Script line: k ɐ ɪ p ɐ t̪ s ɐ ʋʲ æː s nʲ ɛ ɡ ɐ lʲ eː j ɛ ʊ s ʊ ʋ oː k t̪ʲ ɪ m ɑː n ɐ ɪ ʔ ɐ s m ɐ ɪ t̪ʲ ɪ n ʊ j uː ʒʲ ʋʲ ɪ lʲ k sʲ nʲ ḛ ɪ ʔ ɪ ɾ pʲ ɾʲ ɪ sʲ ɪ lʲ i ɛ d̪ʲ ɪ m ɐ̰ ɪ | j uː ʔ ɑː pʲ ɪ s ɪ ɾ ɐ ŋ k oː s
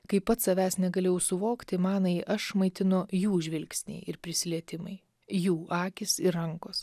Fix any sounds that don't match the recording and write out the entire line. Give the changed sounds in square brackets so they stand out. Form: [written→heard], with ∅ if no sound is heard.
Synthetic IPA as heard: k ɐ ɪ p ɐ t̪ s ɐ ʋʲ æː s nʲ ɛ ɡ ɐ lʲ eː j ɛ ʊ s ʊ ʋ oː k t̪ʲ ɪ m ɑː n ɐ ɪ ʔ ɐ [s→ʃ] m ɐ ɪ t̪ʲ ɪ n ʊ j uː ʒʲ ʋʲ ɪ lʲ k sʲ nʲ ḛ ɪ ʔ ɪ ɾ pʲ ɾʲ ɪ sʲ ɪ lʲ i ɛ [d̪ʲ→t̪ʲ] ɪ m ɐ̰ ɪ | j uː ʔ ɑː [pʲ→kʲ] ɪ s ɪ ɾ ɐ ŋ k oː s